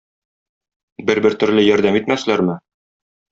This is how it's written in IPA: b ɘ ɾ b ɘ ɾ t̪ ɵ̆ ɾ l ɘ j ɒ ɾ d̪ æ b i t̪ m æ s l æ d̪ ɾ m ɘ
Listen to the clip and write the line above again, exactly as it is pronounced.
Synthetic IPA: b ɘ ɾ b ɘ ɾ t̪ ɵ̆ ɾ l ɘ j ɒ ɾ d̪ æ m i t̪ m æ s l æ ɾ m ɘ